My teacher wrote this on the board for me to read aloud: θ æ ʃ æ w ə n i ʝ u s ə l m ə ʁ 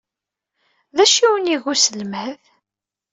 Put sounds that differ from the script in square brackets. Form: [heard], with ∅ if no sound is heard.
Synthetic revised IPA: [ð] æ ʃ [i] w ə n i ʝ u s ə l m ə [ð]